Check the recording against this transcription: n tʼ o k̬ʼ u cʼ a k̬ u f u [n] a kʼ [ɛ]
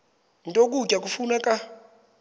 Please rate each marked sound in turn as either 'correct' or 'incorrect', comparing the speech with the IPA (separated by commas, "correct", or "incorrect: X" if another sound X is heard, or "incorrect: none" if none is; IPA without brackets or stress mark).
correct, incorrect: a